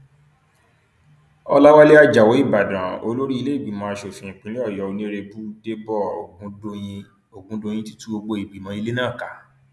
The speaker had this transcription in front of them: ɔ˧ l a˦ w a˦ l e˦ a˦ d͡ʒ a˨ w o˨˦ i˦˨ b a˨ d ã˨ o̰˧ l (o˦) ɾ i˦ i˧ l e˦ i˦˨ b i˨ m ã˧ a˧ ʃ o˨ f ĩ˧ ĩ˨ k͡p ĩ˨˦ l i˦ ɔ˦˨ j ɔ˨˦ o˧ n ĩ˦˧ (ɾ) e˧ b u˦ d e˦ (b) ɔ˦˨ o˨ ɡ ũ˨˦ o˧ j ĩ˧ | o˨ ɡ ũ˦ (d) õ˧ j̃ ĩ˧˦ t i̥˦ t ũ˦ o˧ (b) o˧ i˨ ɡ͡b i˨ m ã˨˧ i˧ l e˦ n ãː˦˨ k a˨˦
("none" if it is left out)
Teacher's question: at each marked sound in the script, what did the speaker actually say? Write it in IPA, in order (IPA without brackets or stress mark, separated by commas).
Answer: o˦, ɾ, b, d, ɡ͡b